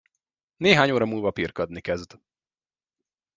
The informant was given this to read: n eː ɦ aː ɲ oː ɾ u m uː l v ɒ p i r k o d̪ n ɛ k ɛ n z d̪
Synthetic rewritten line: n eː ɦ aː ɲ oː ɾ ɒ m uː l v ɒ p i r k ɒ d̪ n i k ɛ z d̪